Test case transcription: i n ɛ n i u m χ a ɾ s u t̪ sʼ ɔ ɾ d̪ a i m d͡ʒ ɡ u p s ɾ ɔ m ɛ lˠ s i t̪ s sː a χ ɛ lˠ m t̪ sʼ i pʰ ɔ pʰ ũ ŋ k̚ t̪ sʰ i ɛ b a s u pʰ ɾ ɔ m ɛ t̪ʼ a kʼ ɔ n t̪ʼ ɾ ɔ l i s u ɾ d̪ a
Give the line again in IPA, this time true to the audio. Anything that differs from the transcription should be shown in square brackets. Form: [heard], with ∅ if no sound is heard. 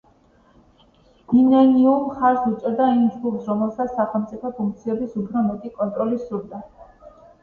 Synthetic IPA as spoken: i n ɛ n i u m χ a ɾ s u t̪ sʼ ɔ ɾ d̪ a i m d͡ʒ ɡ u p s ɾ ɔ m ɛ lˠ s [a] t̪ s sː a χ ɛ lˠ m t̪ sʼ i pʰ ɔ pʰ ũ ŋ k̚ t̪ sʰ i ɛ b [i] s u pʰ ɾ ɔ m ɛ t̪ʼ [i] kʼ ɔ n t̪ʼ ɾ ɔ l i s u ɾ d̪ a